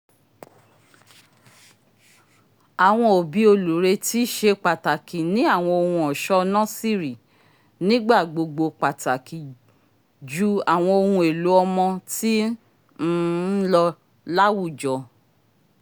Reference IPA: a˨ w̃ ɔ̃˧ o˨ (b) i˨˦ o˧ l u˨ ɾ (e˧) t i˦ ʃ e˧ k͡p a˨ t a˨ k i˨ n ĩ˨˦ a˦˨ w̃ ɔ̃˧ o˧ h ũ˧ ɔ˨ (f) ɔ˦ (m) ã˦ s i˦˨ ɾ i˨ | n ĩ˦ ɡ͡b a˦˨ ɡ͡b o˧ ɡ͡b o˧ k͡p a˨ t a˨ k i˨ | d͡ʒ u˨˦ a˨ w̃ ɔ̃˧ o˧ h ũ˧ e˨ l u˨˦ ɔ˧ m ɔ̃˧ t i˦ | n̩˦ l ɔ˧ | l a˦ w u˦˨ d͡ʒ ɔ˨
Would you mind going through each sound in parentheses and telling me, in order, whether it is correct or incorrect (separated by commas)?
correct, correct, incorrect, incorrect